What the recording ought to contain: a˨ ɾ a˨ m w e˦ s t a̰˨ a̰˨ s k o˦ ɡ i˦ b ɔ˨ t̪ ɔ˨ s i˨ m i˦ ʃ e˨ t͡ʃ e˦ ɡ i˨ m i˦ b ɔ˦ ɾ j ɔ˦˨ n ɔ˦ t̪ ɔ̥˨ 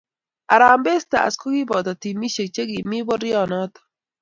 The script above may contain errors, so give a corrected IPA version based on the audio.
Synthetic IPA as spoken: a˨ ɾ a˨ m b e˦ s t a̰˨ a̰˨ s k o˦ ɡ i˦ b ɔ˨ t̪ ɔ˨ t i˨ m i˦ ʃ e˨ t͡ʃ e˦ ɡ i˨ m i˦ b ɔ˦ ɾ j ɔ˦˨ n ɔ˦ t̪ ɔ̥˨